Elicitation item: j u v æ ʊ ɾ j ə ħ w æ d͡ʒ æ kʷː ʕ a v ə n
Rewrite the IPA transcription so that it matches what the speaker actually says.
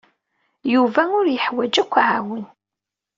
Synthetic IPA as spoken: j u v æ ʊ ɾ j ə ħ w æ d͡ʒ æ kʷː ʕ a w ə n